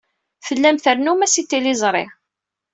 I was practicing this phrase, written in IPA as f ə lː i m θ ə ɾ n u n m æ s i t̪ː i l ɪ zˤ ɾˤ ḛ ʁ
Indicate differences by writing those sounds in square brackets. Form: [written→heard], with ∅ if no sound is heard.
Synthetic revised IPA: f ə lː [i→æ] m θ ə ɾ n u [n→∅] m æ s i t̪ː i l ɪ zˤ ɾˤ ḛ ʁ